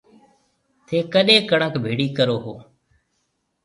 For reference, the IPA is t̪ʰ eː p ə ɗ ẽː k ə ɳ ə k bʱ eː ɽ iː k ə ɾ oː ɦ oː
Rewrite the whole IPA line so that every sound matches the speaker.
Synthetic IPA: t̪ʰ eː k ə ɗ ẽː k ə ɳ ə k bʱ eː ɽ iː k ə ɾ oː ɦ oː